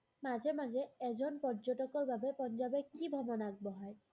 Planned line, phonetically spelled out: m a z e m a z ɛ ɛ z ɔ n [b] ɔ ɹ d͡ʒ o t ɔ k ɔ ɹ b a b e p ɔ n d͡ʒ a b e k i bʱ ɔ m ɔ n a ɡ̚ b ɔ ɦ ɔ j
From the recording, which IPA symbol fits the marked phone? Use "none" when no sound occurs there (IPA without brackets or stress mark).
p